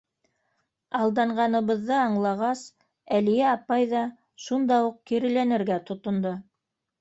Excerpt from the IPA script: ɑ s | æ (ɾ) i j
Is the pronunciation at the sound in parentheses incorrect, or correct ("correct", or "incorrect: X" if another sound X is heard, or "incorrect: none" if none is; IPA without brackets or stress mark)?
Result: incorrect: l